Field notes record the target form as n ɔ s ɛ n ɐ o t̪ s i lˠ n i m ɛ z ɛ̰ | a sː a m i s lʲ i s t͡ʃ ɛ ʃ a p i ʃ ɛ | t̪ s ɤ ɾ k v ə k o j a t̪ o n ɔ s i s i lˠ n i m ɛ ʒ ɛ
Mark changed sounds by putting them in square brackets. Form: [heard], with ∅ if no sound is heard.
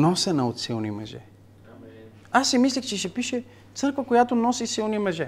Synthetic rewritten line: n ɔ s ɛ n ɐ o t̪ s i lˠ n i m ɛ [ʒ] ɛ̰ | a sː [i] m i s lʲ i [x] t͡ʃ ɛ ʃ [ɛ] p i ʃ ɛ | t̪ s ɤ ɾ k v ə k o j a t̪ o n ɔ s i s i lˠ n i m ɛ ʒ ɛ